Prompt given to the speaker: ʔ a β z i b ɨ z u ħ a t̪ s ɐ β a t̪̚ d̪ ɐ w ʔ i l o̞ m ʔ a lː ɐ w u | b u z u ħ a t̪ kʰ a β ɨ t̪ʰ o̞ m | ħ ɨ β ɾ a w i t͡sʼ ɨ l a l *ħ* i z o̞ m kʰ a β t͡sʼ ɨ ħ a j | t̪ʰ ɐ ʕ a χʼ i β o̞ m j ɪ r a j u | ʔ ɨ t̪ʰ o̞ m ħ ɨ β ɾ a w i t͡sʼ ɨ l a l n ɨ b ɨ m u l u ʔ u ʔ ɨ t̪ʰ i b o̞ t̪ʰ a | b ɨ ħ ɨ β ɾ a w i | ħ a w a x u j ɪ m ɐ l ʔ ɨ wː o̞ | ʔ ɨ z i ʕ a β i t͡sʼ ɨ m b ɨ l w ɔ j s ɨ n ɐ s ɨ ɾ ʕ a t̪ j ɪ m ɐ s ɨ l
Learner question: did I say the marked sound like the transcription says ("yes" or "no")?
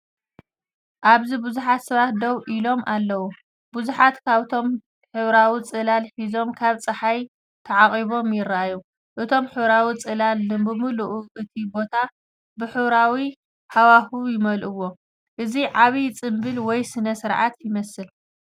yes